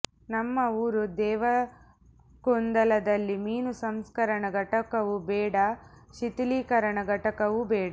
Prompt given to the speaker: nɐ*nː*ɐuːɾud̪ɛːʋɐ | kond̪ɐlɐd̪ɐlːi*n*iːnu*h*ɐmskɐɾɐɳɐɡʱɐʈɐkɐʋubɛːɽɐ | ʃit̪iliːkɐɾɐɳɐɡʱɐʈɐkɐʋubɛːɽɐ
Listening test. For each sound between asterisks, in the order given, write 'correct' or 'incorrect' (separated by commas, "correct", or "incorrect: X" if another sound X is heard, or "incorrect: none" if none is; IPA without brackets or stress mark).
incorrect: mː, incorrect: m, incorrect: s